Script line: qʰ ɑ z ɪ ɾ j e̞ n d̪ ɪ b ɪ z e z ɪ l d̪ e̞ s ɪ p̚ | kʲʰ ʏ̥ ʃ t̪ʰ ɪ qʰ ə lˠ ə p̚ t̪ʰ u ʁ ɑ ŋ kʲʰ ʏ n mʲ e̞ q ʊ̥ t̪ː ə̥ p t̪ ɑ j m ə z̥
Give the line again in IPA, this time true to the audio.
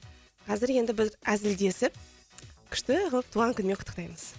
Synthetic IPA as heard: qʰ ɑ z ɪ ɾ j e̞ n d̪ ɪ b ɪ z æ z ɪ l d̪ e̞ s ɪ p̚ | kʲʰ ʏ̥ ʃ t̪ ɪ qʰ ə lˠ ə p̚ t̪ʰ u ʁ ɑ ŋ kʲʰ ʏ n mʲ e̞ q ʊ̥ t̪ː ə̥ q t̪ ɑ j m ə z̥

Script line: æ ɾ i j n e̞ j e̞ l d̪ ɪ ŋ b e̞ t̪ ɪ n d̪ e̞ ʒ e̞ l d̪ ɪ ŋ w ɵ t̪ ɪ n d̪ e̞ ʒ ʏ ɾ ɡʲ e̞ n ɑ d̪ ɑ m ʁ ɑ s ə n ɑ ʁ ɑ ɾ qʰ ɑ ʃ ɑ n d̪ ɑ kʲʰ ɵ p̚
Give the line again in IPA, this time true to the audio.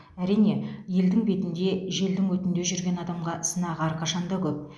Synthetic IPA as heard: æ ɾ i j n e̞ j e̞ l d̪ ɪ ŋ b e̞ t̪ ɪ n d̪ e̞ ʒ e̞ l d̪ ɪ ŋ w ɵ t̪ ɪ n d̪ e̞ ʒ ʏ ɾ ɡʲ e̞ n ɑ d̪ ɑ m ʁ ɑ s ə n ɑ ʁ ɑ ɾ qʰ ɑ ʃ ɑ n d̪ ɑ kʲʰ ɵ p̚

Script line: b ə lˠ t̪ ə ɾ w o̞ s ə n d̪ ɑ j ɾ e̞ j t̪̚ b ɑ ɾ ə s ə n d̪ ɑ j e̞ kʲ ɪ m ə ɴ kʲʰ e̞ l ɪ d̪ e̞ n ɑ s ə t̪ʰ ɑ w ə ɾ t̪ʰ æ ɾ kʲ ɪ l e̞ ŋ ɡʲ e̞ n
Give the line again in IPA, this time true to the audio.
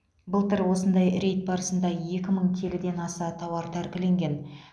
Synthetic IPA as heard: b ə lˠ t̪ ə ɾ w o̞ s ə n d̪ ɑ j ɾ e̞ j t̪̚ b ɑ ɾ ə s ə n d̪ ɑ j e̞ kʲ ɪ m ə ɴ kʲʰ e̞ l ɪ d̪ e̞ n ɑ s ɑ t̪ʰ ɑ w ɑ ɾ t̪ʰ æ ɾ kʲ ɪ l e̞ ŋ ɡʲ e̞ n

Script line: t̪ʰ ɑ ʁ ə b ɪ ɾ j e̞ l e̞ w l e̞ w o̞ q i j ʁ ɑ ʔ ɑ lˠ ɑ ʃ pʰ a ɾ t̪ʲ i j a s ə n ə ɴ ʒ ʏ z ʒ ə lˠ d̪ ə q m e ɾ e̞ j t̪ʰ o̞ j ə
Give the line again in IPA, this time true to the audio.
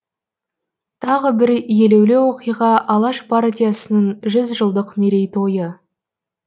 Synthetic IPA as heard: t̪ʰ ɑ ʁ ə b ɪ ɾ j e̞ l e̞ w l e̞ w o̞ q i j ʁ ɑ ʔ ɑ lˠ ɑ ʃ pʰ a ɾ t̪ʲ i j a s ə n ə ɴ ʒ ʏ z ʒ ə lˠ d̪ ə q m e ɾ e̞ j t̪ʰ o̞ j ə

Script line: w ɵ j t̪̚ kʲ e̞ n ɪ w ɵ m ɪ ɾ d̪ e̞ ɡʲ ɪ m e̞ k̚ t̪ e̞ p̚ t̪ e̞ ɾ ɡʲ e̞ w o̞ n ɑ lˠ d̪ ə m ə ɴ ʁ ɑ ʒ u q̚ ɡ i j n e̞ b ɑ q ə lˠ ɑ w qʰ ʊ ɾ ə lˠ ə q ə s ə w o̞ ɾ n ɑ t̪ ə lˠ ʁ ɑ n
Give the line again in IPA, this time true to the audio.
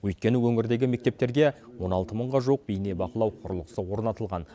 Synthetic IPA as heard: w ɵ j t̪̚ kʲ e̞ n ɪ w ɵ ŋ ɪ ɾ d̪ e̞ ɡʲ ɪ m e̞ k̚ t̪ e̞ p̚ t̪ e̞ ɾ ɡʲ e̞ w o̞ n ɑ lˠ t̪ ə m ə ɴ ʁ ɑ ʒ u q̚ b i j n e̞ b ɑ q ə lˠ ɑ w qʰ ʊ ɾ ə lˠ ə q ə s ə w o̞ ɾ n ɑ t̪ ə lˠ ʁ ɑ n

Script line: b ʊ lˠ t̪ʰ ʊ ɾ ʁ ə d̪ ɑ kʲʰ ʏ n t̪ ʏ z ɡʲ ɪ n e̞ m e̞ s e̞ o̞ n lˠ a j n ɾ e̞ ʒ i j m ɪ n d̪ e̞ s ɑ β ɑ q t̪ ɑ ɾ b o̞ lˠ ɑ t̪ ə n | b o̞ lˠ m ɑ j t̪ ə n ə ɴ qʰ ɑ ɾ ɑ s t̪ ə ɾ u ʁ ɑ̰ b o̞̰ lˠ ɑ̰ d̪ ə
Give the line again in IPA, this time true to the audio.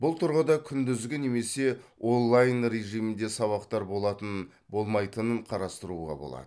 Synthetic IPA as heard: b ʊ lˠ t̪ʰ ʊ ɾ ʁ ə d̪ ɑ kʲʰ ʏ n d̪ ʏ z ɡʲ ɪ n e̞ m e̞ s e̞ o̞ n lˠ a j n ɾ e̞ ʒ i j m ɪ n d̪ e̞ s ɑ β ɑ q t̪ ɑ ɾ b o̞ lˠ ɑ t̪ ə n | b o̞ lˠ m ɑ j t̪ ə n ə ɴ qʰ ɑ ɾ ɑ s t̪ ə ɾ u ʁ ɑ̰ b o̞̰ lˠ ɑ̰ d̪ ə

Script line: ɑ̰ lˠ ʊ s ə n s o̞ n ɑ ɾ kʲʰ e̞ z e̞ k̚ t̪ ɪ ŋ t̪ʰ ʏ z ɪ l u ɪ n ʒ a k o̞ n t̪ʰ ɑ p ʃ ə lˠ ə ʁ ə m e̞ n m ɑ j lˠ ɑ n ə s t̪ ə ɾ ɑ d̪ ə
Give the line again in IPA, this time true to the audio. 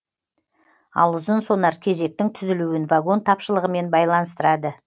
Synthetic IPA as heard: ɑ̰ lˠ ʊ z ə n s o̞ n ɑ ɾ kʲʰ e̞ z e̞ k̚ t̪ ɪ ŋ t̪ʰ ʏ z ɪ l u ɪ n v a ɡ o̞ n t̪ʰ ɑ p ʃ ə lˠ ə ʁ ə m e̞ n b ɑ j lˠ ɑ n ə s t̪ ə ɾ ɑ d̪ ə

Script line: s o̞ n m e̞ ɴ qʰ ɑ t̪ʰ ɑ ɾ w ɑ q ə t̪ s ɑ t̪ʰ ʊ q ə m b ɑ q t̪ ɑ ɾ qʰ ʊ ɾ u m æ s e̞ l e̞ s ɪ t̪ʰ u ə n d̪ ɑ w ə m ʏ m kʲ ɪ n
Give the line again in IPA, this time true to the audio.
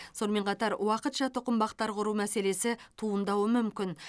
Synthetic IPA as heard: s o̞ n m e̞ ɴ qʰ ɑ t̪ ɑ ɾ w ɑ q ə t̪ ʃ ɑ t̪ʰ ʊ q ə m b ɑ q t̪ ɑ ɾ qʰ ʊ ɾ u m æ s e̞ l e̞ s ɪ t̪ʰ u ə n d̪ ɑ w ə m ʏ m kʲ ɪ n

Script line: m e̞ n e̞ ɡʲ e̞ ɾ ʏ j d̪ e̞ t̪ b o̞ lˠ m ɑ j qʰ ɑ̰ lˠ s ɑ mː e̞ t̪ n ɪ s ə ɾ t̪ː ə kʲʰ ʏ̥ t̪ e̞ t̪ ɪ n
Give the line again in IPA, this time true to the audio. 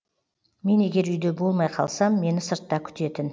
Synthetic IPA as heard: m e̞ n e̞ ɡʲ e̞ ɾ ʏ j d̪ e̞ b o̞ lˠ m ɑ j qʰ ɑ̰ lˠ s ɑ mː e̞ n ɪ s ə ɾ t̪ː ɑ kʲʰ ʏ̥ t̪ e̞ t̪ ɪ n

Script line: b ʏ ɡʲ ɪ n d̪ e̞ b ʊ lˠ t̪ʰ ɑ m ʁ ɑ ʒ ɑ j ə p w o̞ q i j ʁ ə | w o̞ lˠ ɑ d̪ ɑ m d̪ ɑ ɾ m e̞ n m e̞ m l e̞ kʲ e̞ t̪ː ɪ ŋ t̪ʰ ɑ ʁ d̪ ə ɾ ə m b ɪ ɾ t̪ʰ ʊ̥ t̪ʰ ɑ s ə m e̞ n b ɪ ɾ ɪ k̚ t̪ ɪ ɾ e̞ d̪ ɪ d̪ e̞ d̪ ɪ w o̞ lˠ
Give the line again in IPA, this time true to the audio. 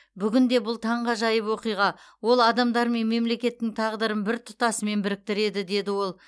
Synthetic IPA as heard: b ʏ ɡʲ ɪ n d̪ e̞ b ʊ lˠ t̪ʰ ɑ ɴ ʁ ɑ ʒ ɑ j ə p w o̞ q i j ʁ ɑ | w o̞ lˠ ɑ d̪ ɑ m d̪ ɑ ɾ m e̞ n m e̞ m l e̞ kʲ e̞ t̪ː ɪ ŋ t̪ʰ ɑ ʁ d̪ ə ɾ ə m b ɪ ɾ t̪ʰ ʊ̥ t̪ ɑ s ə m e̞ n b ɪ ɾ ɪ k̚ t̪ ɪ ɾ e̞ d̪ ɪ d̪ e̞ d̪ ɪ w o̞ lˠ

